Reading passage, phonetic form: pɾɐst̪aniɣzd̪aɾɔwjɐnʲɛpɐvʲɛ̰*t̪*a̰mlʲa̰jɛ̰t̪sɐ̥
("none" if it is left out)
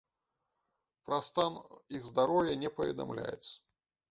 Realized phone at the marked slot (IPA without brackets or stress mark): d̪